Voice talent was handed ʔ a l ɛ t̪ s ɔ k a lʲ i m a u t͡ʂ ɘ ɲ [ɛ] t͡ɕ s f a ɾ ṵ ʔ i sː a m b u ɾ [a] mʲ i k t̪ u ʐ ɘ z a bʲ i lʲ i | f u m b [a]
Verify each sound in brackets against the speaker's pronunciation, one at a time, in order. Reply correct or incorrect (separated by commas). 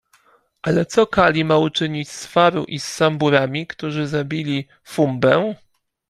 incorrect, correct, incorrect